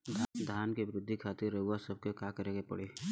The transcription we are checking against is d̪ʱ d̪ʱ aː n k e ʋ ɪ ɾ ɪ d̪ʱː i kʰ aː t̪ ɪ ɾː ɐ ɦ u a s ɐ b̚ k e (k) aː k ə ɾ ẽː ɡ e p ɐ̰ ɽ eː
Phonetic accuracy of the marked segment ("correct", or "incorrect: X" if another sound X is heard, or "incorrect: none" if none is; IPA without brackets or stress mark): correct